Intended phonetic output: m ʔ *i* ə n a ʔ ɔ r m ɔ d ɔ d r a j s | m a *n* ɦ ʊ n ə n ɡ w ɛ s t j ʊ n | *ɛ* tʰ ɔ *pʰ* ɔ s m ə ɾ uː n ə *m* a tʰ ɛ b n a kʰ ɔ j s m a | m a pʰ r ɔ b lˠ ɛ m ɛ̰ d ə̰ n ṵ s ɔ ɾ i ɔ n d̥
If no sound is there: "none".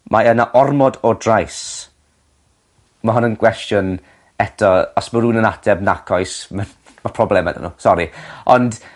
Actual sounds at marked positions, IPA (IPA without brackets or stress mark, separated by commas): a, none, ɛ, none, n